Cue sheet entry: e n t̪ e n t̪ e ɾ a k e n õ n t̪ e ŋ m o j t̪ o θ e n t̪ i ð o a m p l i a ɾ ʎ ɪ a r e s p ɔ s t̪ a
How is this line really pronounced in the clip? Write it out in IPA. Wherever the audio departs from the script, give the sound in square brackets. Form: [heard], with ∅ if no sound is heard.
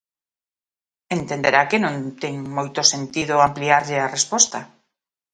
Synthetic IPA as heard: e n t̪ e n [d̪] e ɾ a k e n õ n t̪ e ŋ m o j t̪ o [s] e n t̪ i ð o a m p l i a ɾ ʎ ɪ a r e s p ɔ s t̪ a